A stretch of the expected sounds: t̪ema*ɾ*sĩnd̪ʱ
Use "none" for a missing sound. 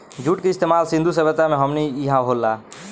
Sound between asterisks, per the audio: l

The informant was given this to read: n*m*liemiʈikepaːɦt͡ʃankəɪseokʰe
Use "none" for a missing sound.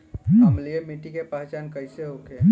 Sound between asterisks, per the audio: m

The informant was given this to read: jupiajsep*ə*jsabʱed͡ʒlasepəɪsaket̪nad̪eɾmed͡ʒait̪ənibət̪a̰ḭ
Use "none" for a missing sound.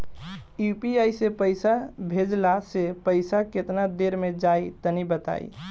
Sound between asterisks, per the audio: ə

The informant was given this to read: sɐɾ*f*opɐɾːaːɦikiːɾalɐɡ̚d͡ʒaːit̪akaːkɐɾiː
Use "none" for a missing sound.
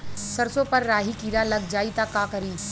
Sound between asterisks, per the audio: s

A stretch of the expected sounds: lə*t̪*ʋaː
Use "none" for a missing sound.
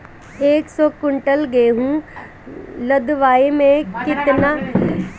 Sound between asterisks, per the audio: d̪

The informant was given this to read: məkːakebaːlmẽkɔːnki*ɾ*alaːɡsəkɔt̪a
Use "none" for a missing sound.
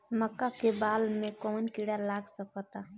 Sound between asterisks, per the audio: ɽ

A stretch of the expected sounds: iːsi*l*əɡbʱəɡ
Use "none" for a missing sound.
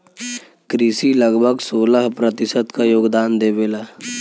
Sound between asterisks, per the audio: l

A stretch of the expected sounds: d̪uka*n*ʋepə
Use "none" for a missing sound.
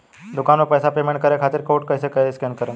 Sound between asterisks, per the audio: n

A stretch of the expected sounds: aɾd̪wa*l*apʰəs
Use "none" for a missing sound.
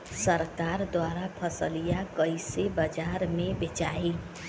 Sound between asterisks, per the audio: ɾ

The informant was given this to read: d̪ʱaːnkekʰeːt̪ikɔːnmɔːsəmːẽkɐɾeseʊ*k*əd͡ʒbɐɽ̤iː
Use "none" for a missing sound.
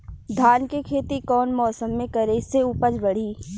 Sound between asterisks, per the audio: p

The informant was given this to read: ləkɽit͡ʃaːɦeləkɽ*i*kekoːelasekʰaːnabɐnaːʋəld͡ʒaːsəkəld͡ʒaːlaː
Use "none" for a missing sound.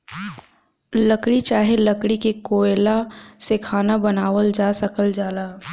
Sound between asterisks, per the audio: i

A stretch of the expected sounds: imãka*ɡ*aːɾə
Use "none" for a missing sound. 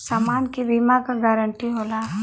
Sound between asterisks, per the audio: ɡ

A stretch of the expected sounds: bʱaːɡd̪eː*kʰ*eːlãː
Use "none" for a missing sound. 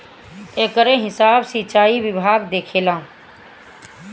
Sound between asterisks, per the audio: kʰ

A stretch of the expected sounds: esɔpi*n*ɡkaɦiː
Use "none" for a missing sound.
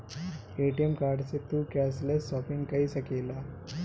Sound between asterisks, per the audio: ŋ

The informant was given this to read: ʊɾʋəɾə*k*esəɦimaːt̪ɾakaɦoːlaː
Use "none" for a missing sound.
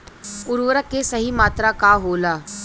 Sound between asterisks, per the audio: k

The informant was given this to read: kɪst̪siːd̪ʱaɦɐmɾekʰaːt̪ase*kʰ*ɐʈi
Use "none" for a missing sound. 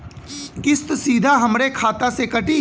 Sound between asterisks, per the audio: k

